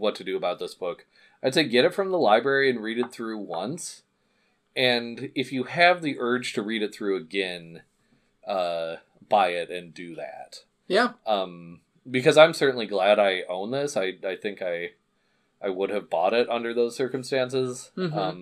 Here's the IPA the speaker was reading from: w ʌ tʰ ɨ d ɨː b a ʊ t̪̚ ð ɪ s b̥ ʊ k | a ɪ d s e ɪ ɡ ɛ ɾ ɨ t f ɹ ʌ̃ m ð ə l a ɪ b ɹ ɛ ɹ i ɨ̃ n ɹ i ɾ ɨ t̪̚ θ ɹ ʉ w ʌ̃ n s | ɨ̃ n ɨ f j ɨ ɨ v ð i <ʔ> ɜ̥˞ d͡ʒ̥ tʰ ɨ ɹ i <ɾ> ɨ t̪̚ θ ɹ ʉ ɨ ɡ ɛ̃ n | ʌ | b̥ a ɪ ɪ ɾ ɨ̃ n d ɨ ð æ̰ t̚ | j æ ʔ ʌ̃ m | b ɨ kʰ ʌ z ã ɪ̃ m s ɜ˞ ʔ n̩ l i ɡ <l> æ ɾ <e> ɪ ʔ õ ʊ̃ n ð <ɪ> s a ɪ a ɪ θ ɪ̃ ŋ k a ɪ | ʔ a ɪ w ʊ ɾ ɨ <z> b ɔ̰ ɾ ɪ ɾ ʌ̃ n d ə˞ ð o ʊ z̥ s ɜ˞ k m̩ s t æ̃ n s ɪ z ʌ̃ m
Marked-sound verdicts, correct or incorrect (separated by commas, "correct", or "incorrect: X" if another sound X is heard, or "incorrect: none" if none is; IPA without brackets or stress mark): correct, correct, correct, incorrect: a, correct, incorrect: v